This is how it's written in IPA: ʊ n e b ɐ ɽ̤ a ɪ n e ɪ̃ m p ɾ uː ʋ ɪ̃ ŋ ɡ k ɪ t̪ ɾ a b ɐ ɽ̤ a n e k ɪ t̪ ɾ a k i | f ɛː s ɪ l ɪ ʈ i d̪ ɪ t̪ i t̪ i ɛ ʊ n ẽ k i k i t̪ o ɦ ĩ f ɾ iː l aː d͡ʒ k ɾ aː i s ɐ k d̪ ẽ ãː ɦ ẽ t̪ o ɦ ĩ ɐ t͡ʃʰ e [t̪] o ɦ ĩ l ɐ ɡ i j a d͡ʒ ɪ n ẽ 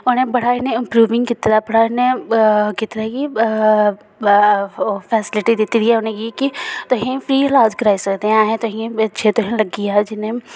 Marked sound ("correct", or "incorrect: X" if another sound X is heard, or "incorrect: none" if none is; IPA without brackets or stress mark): correct